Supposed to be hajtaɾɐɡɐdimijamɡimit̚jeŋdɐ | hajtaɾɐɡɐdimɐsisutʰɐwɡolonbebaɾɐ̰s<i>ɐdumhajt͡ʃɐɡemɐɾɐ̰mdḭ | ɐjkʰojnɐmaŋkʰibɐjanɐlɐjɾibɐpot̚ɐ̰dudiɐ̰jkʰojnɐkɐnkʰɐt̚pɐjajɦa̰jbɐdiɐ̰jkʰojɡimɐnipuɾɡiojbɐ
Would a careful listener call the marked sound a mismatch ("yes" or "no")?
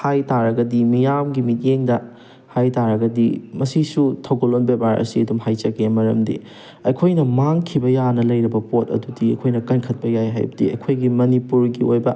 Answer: no